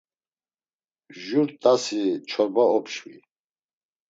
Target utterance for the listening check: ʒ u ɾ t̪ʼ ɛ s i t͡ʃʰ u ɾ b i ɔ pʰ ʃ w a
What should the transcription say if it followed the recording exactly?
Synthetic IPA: ʒ u ɾ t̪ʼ a s i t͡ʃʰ ɔ ɾ b a ɔ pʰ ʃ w i

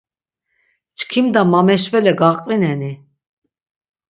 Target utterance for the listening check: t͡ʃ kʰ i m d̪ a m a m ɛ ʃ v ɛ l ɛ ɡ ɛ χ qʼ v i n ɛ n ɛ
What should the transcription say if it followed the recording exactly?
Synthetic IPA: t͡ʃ kʰ i m d̪ a m a m ɛ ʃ v ɛ l ɛ ɡ a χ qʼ v i n ɛ n i

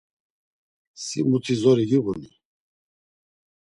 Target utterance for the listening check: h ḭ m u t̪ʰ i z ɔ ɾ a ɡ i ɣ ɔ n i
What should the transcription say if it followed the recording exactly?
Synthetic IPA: s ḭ m u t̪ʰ i z ɔ ɾ i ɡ i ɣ u n i

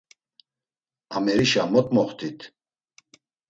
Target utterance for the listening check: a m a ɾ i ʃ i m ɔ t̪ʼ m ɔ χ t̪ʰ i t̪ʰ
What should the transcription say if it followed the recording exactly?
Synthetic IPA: a m ɛ ɾ i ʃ a m ɔ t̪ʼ m ɔ χ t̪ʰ i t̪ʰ

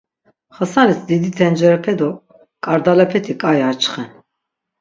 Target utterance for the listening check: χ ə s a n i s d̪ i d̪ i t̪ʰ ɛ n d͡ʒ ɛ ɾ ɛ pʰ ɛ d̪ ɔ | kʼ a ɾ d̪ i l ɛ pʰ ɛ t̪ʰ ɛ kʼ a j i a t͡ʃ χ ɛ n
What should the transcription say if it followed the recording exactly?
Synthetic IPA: χ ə s a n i s d̪ i d̪ i t̪ʰ ɛ n d͡ʒ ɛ ɾ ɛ pʰ ɛ d̪ ɔ | kʼ a ɾ d̪ a l ɛ pʰ ɛ t̪ʰ i kʼ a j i a t͡ʃ χ ɛ n

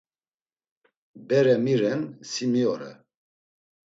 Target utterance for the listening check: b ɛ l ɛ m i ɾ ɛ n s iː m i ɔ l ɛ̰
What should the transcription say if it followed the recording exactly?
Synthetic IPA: b ɛ ɾ ɛ m i ɾ ɛ n s i m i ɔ ɾ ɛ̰

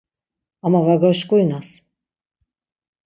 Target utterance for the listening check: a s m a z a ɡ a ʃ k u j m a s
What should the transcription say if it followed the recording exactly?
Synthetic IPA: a m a v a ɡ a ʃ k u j n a s

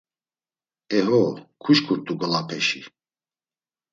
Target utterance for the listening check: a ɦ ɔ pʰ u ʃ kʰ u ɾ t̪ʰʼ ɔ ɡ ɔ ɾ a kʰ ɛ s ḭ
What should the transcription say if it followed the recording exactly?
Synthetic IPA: ɛ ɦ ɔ kʰ u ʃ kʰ u ɾ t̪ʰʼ u ɡ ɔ l a pʰ ɛ ʃ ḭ

